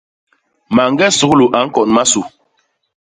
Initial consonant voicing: voiced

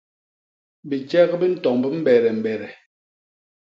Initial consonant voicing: voiced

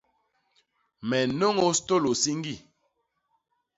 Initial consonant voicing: voiced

